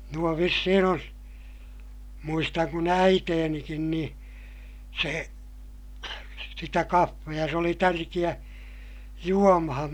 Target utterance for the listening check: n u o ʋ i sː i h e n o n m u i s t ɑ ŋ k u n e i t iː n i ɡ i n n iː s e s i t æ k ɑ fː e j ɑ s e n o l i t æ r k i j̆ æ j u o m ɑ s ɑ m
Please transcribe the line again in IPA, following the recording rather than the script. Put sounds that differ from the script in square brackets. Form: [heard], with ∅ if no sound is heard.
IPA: n u o ʋ i sː i h [i] n o n m u i s t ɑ ŋ k u n [æ] i t [eː] n i [k] i n n iː s e s i t æ k ɑ fː e j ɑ s e [∅] o l i t æ r k i j̆ æ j u o m ɑ [h] ɑ m